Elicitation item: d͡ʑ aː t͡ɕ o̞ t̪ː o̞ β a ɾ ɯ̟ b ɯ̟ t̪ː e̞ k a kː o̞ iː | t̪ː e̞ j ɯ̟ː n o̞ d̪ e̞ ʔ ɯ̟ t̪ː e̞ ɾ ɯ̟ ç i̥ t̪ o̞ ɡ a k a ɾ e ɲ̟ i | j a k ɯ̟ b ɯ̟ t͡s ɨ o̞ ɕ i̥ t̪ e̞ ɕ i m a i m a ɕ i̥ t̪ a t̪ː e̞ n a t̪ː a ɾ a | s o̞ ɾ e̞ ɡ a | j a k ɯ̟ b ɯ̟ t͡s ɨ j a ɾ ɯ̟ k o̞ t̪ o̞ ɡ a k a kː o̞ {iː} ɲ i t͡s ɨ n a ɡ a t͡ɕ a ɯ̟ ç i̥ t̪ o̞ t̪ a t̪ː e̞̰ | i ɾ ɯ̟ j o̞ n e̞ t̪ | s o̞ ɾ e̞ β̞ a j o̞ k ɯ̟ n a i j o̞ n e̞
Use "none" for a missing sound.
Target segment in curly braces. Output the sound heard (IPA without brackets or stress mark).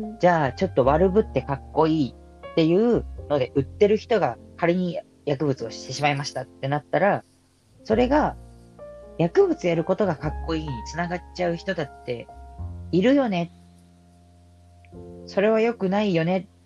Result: iː